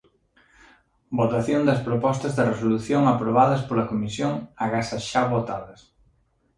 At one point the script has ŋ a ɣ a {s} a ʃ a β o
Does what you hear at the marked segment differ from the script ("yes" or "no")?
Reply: no